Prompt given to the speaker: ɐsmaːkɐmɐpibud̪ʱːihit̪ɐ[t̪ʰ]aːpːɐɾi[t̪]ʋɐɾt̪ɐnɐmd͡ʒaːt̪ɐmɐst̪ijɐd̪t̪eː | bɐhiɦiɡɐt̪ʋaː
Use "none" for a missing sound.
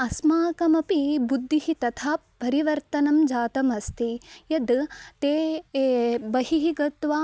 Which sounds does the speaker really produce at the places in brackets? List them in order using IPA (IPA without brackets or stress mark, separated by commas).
t̪ʰ, none